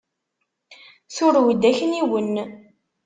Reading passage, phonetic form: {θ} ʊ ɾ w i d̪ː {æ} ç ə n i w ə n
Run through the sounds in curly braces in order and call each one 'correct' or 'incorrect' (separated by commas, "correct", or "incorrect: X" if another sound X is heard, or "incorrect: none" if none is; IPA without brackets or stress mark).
correct, correct